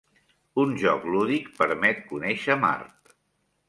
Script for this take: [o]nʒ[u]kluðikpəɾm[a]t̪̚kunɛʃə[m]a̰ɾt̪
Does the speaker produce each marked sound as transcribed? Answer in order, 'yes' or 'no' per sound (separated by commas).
no, no, no, yes